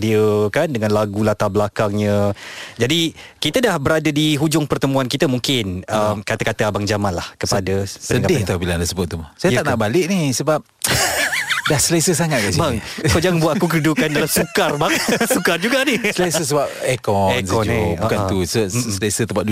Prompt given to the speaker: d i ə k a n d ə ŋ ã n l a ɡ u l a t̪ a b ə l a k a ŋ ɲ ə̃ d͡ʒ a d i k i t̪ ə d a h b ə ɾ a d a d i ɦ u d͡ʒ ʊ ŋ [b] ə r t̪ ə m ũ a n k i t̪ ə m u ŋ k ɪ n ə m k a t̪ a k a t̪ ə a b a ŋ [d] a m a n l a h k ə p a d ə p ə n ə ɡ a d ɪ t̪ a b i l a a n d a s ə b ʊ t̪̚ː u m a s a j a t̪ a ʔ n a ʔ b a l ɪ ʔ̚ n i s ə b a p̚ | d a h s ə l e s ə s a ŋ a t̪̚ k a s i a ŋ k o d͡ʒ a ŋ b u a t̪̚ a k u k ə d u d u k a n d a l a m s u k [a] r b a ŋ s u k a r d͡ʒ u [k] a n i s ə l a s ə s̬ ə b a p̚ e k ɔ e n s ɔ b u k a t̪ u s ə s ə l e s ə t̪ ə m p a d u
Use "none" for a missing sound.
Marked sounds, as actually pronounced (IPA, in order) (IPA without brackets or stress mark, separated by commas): p, d͡ʒ, a, ɡ